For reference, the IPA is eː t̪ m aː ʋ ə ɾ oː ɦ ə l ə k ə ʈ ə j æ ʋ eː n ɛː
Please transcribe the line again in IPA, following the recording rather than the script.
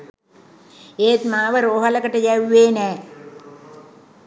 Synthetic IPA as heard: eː t̪ m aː ʋ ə ɾ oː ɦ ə l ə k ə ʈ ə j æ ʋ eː n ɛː